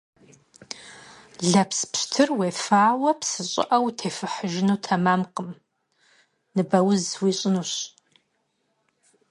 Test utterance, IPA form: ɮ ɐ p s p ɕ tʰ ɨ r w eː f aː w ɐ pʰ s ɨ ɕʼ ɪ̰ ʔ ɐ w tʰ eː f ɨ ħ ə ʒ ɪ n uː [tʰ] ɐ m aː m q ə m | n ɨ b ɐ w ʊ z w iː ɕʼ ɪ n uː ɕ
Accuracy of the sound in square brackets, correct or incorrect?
correct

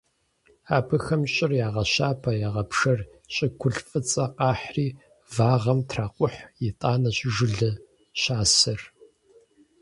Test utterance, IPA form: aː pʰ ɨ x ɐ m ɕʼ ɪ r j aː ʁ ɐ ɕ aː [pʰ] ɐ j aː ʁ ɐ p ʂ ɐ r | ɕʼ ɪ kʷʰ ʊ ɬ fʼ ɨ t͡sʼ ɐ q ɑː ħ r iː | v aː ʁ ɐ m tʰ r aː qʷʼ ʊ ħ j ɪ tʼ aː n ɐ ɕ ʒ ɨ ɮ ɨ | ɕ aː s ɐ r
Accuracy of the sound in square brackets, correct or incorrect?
correct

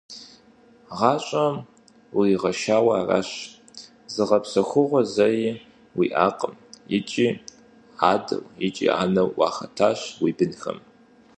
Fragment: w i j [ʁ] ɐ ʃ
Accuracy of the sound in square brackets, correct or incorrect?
correct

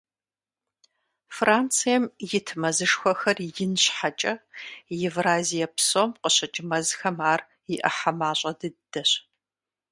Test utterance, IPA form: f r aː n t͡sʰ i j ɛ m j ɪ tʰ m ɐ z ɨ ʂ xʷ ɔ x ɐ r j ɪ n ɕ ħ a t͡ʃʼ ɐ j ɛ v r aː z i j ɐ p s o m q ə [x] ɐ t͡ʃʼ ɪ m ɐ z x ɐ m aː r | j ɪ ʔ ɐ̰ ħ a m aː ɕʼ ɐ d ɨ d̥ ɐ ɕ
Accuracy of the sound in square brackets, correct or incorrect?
incorrect: ɕ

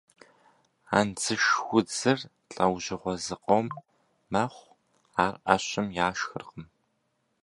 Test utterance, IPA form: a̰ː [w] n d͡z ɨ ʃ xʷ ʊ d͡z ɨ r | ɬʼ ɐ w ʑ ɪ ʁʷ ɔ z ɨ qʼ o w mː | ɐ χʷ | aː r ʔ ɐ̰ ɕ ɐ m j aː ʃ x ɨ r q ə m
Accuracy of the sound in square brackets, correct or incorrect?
incorrect: none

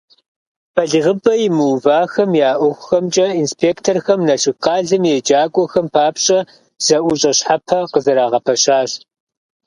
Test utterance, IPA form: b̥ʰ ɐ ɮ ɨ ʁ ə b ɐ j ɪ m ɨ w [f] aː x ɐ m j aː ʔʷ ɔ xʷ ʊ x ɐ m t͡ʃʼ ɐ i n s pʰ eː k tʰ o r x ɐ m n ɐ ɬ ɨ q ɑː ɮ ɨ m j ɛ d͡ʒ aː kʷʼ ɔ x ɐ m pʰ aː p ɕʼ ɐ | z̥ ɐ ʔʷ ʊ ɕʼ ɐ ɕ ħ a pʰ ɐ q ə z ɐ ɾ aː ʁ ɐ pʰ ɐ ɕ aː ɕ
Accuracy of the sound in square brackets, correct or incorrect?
incorrect: v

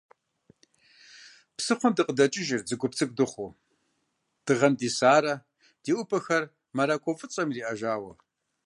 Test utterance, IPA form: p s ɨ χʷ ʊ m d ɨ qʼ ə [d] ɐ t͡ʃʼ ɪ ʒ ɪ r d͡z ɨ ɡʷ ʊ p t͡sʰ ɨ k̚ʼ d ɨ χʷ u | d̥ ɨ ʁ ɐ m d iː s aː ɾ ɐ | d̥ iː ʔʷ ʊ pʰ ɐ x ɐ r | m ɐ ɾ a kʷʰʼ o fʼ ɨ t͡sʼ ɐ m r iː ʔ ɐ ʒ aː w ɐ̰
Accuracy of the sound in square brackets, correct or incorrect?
correct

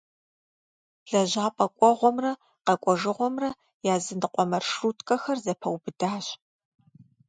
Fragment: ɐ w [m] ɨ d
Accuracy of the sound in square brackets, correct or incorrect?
incorrect: b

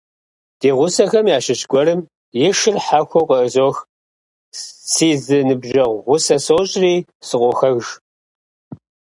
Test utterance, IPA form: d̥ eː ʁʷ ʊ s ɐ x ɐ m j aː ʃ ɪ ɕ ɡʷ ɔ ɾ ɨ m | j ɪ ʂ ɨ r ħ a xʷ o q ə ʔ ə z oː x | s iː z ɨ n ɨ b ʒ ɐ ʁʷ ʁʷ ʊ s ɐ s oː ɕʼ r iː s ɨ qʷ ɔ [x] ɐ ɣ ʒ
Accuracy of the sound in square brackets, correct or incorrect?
correct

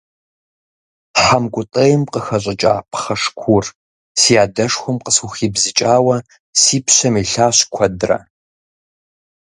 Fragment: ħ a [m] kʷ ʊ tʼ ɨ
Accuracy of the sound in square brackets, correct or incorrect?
correct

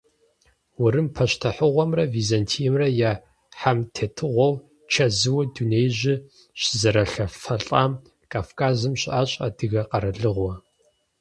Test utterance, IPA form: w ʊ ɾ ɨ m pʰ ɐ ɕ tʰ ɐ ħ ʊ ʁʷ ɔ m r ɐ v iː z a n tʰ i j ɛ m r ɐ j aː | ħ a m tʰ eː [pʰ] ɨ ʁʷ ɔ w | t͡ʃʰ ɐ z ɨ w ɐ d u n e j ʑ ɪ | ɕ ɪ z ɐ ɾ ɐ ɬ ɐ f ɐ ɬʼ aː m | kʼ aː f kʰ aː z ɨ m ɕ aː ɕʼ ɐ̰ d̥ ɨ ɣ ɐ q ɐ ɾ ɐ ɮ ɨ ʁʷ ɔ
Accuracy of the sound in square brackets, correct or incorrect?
incorrect: tʰ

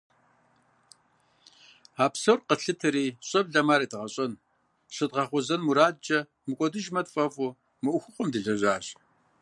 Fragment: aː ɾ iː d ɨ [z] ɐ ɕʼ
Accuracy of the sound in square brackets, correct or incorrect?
incorrect: ʁ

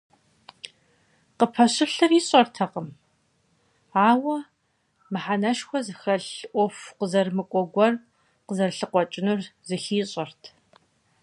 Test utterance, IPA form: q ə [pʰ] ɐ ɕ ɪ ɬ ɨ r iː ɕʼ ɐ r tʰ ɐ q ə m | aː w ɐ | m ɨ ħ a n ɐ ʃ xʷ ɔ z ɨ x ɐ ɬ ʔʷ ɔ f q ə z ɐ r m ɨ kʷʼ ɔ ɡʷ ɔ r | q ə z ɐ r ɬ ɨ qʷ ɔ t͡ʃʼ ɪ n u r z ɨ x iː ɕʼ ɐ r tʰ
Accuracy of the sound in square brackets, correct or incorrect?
correct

